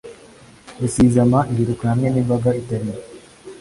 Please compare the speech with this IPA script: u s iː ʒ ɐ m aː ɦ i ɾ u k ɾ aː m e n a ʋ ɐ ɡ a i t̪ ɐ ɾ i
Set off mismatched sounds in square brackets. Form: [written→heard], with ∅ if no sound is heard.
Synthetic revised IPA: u s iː [ʒ→z] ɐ m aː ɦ i ɾ u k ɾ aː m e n [a→i] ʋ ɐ ɡ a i t̪ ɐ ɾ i